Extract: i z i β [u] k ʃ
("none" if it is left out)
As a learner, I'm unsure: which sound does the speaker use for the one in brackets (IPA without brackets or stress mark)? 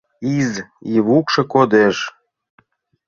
u